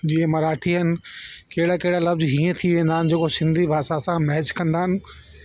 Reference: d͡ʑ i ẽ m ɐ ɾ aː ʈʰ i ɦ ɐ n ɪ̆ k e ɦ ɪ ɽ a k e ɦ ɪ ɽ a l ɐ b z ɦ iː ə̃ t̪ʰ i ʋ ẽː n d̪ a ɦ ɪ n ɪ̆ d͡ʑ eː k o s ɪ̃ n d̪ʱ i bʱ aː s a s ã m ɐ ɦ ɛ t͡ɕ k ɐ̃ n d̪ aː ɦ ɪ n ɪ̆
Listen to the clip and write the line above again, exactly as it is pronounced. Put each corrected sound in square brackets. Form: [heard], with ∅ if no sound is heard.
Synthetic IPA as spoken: d͡ʑ i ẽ m ɐ ɾ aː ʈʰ i ɦ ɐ n ɪ̆ k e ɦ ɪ ɽ a k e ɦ ɪ ɽ a l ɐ b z ɦ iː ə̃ t̪ʰ i ʋ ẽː n d̪ a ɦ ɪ n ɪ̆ d͡ʑ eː k o s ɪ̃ n d̪ʱ i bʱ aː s a s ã m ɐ ɦ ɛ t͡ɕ k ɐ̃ n d̪ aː ɦ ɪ n ɪ̆